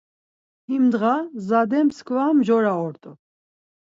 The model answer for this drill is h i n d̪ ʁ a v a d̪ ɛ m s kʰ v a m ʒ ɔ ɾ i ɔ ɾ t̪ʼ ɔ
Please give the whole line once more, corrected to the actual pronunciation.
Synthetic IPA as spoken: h i m d̪ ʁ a z a d̪ ɛ m s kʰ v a m ʒ ɔ ɾ a ɔ ɾ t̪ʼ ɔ